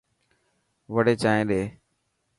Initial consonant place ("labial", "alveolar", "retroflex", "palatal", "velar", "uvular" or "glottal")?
labial